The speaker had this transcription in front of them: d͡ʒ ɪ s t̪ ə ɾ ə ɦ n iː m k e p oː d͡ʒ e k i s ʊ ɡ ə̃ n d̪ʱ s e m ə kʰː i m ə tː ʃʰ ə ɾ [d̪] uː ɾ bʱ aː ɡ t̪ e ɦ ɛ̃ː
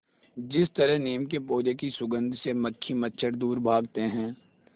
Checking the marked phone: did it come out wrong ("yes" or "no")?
no